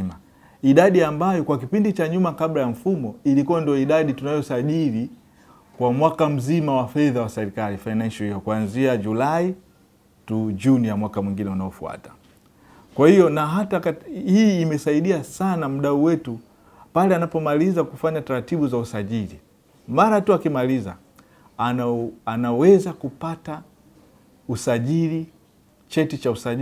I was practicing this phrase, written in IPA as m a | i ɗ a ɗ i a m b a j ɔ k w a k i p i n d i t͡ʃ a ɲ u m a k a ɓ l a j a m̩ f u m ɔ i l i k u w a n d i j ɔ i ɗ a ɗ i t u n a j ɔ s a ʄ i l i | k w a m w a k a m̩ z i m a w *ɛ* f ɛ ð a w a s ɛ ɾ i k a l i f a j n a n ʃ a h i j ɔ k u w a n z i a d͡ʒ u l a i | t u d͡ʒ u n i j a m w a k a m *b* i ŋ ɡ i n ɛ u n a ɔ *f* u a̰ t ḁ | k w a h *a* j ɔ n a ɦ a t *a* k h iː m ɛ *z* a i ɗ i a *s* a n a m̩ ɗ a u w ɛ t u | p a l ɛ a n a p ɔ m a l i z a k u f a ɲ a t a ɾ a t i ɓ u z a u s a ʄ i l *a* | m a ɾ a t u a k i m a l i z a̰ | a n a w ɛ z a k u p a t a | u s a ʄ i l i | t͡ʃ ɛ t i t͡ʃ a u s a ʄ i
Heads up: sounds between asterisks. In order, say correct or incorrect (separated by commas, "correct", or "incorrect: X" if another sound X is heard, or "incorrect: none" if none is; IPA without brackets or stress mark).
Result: incorrect: a, incorrect: w, correct, incorrect: i, correct, incorrect: s, correct, incorrect: i